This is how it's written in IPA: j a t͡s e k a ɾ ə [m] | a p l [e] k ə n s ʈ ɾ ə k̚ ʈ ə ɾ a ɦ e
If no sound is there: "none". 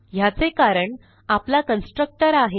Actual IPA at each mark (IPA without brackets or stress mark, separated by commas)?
ɳ, a